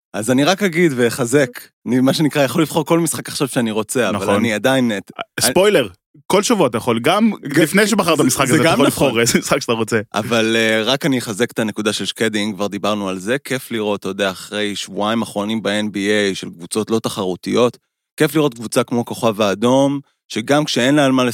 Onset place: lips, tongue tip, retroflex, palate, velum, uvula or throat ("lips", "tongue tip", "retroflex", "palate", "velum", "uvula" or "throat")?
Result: tongue tip